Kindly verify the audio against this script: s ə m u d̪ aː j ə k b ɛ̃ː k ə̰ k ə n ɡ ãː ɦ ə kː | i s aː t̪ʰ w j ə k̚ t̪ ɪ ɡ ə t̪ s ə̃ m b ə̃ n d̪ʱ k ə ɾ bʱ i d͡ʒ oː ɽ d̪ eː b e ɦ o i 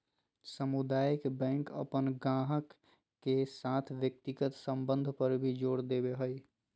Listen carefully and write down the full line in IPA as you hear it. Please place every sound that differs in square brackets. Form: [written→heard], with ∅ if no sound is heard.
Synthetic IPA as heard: s ə m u d̪ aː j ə k b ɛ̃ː k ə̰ [k→p] ə n ɡ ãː ɦ ə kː | [i→e] s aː t̪ʰ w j ə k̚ t̪ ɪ ɡ ə t̪ s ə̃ m b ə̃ n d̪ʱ [k→p] ə ɾ bʱ i d͡ʒ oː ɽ d̪ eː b e ɦ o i